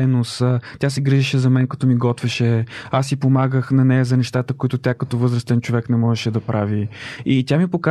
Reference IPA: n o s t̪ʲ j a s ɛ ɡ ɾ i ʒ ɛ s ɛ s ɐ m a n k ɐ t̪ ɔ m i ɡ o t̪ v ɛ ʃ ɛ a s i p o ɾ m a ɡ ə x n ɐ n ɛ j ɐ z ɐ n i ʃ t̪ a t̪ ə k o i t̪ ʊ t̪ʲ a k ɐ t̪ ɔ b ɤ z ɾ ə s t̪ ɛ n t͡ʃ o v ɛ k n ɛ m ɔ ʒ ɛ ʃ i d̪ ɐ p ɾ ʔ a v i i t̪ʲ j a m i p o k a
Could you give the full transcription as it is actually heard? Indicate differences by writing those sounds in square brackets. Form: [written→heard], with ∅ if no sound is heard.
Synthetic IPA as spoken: n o s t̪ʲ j a s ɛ ɡ ɾ i ʒ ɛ [s→ʃ] ɛ [s→z] ɐ m [a→ɛ] n k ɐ t̪ ɔ m i ɡ [o→ɔ] t̪ v ɛ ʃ ɛ a s i p o [ɾ→∅] m a ɡ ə x n ɐ n ɛ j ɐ z ɐ n [i→ɛ] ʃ t̪ a t̪ ə k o i t̪ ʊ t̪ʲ a k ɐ t̪ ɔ [b→v] ɤ z ɾ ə s t̪ ɛ n t͡ʃ o v ɛ k n ɛ m ɔ ʒ ɛ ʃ [i→ɛ] d̪ ɐ p ɾ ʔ a v i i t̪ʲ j a m i p o k a